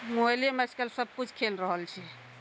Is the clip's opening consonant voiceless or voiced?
voiced